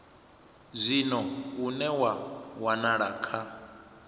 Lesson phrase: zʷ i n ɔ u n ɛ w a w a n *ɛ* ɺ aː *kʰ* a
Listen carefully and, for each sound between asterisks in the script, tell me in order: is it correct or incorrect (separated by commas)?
incorrect, correct